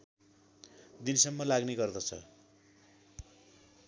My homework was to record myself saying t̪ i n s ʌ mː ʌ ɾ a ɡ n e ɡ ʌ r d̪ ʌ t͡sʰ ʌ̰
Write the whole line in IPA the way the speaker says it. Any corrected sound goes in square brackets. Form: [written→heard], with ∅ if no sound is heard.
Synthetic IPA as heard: [t̪→d̪] i n s ʌ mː ʌ [ɾ→l] a ɡ n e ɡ ʌ r d̪ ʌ t͡sʰ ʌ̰